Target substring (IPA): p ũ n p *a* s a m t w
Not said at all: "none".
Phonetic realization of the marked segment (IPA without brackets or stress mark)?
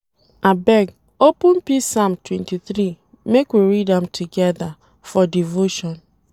i